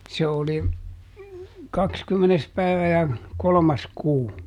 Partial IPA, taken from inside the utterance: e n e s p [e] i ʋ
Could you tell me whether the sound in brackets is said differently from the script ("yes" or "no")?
yes